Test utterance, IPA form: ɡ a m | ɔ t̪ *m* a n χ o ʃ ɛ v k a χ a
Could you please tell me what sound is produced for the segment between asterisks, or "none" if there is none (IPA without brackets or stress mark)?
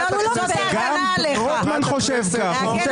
m